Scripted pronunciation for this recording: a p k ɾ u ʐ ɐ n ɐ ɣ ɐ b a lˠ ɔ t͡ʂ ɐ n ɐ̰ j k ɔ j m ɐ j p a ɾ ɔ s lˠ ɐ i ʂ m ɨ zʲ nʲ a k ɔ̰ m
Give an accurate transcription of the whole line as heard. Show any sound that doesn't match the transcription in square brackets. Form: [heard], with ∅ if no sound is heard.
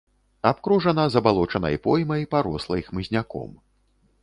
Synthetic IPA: a p k ɾ u ʐ ɐ n ɐ [z] ɐ b a lˠ ɔ t͡ʂ ɐ n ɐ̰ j [p] ɔ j m ɐ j p a ɾ ɔ s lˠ ɐ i [x] m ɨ zʲ nʲ a k ɔ̰ m